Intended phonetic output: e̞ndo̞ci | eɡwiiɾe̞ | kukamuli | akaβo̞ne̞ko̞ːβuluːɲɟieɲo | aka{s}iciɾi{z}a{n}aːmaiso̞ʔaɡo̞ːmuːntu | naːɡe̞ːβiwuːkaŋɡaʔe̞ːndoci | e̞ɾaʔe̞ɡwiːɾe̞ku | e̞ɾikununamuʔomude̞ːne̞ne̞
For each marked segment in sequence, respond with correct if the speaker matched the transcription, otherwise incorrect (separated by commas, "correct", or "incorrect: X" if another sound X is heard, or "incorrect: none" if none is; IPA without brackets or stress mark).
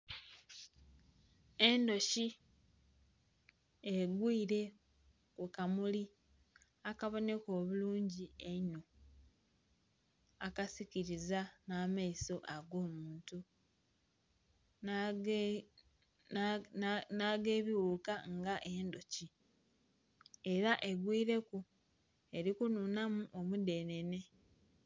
correct, correct, correct